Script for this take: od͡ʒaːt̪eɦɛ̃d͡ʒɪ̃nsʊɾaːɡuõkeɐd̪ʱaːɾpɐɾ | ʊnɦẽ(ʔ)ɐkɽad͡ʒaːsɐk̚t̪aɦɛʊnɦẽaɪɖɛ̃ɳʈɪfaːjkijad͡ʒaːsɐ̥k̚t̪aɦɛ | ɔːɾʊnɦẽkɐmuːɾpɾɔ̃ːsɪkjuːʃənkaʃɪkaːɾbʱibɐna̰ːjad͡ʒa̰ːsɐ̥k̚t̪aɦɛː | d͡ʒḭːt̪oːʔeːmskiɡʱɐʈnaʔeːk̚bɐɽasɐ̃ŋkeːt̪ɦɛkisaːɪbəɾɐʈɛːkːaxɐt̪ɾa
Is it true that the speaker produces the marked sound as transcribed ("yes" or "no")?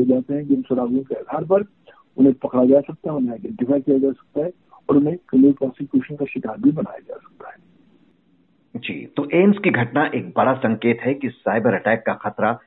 no